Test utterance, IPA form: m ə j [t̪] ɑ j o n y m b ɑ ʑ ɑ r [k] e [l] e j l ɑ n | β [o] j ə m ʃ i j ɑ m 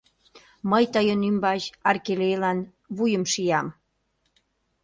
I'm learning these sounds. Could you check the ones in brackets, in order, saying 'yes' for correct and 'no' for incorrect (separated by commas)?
yes, yes, yes, no